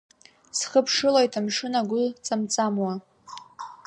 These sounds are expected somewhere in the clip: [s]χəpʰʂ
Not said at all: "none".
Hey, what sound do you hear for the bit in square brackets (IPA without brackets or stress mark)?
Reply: s